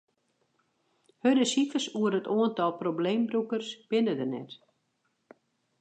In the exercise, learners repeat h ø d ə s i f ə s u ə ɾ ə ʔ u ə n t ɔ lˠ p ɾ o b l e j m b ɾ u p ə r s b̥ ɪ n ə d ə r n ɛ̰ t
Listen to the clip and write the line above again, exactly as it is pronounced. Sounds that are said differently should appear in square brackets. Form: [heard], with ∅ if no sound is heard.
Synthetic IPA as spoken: h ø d ə s i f ə s u ə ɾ ə [t] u ə n t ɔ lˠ p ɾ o b l e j m b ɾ u [k] ə r s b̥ ɪ n ə d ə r n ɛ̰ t